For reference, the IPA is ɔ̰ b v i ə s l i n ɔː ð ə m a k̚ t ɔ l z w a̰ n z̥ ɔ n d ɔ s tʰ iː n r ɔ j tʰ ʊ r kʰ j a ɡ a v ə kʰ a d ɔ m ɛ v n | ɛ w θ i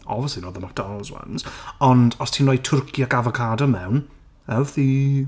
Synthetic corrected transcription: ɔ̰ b v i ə s l i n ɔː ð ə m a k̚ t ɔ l z w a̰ n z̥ ɔ n d ɔ s tʰ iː n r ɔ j tʰ ʊ r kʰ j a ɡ a v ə kʰ a d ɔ m ɛ w n | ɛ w θ i